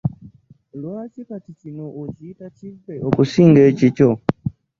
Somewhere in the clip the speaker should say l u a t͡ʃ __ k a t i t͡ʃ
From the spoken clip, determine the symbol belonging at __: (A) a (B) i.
B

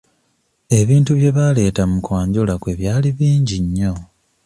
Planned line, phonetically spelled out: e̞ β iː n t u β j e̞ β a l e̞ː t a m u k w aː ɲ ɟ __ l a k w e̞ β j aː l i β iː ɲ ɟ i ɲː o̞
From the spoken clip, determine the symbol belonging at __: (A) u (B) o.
B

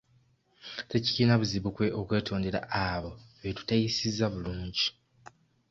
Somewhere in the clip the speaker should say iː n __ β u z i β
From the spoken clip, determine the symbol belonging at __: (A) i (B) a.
B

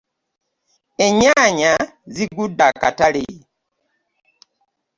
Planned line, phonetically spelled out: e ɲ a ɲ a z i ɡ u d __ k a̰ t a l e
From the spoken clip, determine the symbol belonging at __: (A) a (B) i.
A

